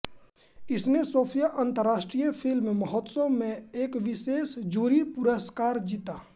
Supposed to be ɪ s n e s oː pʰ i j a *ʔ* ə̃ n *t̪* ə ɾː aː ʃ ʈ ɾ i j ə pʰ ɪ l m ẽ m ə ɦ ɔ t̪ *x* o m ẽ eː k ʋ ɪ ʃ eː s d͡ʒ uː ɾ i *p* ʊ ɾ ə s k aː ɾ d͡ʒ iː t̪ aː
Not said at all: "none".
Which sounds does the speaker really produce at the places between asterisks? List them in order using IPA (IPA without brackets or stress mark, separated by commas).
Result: ʔ, t̪, s, p